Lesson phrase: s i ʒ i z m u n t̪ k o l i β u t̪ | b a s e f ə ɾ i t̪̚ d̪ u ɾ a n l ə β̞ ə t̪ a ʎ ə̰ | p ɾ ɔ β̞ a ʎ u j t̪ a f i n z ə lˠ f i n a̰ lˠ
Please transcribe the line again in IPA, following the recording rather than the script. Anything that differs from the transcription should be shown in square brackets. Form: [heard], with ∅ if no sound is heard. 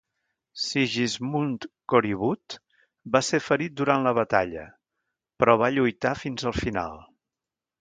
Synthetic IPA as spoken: s i ʒ i z m u n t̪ k o [ɾ] i β u t̪ | b a s e f ə ɾ i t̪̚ d̪ u ɾ a n l ə β̞ ə t̪ a ʎ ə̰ | p ɾ ɔ β̞ a ʎ u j t̪ a f i n z ə lˠ f i n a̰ lˠ